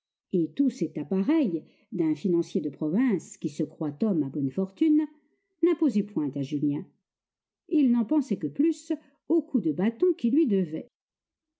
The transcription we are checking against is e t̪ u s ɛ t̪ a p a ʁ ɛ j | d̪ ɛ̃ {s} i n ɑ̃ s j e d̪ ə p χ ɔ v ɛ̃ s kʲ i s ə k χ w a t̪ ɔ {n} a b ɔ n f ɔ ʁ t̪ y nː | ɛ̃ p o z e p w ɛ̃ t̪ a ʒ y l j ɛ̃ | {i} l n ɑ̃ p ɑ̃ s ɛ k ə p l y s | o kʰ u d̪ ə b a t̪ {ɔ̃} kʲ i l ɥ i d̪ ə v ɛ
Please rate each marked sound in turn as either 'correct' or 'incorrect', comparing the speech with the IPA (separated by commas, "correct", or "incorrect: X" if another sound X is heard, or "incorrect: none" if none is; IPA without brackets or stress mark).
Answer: incorrect: f, incorrect: m, correct, correct